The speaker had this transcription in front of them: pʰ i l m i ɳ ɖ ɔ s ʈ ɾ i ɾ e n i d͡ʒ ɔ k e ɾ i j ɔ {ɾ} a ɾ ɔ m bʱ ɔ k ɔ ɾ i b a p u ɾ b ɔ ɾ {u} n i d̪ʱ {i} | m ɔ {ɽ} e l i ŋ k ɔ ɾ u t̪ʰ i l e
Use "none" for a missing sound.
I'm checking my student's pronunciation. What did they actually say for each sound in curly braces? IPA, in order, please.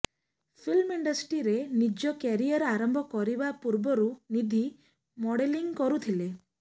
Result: ɾ, u, i, ɽ

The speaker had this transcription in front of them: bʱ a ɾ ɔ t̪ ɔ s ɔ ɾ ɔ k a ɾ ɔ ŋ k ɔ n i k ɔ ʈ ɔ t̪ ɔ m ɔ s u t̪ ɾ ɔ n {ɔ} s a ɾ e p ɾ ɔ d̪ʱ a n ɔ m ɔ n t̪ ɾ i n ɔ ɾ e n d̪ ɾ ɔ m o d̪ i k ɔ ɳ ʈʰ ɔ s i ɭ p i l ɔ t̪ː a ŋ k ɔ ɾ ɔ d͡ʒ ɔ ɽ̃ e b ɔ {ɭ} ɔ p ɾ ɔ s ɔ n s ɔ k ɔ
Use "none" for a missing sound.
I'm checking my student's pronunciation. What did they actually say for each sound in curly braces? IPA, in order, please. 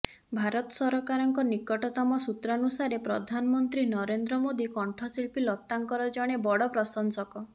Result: u, ɽ

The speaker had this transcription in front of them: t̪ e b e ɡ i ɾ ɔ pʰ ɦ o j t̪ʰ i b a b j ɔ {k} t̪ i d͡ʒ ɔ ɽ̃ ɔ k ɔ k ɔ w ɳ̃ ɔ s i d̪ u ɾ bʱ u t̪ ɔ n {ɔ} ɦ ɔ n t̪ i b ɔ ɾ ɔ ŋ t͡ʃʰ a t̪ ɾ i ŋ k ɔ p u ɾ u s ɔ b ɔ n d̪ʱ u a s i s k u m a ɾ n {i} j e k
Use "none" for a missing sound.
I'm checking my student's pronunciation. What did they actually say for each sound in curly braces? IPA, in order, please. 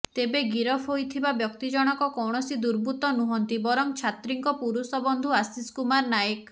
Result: k, u, a

